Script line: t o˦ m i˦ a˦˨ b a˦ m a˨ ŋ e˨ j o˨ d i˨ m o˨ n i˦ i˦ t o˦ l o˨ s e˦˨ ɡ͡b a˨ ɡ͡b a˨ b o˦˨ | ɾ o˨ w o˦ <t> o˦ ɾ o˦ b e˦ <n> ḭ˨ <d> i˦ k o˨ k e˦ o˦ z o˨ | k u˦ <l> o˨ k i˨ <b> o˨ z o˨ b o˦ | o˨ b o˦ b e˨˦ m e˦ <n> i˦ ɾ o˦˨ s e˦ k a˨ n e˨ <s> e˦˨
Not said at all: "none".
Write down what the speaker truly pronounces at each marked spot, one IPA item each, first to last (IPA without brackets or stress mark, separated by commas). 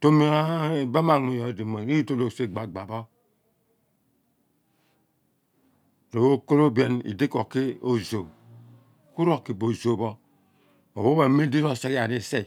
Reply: k, n, d, ɾ, b, d, s